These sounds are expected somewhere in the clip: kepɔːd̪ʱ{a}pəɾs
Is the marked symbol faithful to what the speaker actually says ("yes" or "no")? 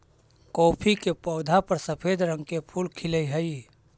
yes